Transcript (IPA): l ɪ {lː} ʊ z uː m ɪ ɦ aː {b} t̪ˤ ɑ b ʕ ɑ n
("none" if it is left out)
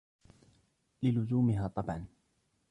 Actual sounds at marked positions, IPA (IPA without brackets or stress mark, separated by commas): l, none